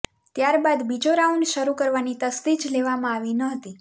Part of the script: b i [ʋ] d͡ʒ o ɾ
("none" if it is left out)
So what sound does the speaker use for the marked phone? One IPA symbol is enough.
none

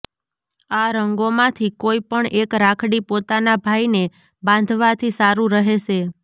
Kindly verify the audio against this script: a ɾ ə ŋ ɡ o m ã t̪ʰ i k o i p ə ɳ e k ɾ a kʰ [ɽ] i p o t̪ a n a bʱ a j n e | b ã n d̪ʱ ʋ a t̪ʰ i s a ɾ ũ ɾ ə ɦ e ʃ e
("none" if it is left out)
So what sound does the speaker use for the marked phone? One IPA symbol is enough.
ɽ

